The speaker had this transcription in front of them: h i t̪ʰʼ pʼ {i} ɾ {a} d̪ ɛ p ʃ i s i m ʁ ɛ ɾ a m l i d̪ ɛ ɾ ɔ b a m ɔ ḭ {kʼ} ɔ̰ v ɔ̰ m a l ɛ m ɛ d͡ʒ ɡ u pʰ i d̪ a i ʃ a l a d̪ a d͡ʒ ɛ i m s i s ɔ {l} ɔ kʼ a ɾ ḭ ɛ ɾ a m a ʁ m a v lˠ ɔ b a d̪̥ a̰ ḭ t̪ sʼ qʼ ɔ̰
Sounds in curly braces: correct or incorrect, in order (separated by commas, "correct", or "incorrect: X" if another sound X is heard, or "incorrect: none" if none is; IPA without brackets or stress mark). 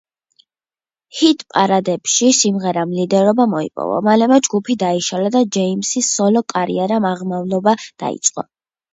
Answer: incorrect: a, correct, incorrect: pʼ, correct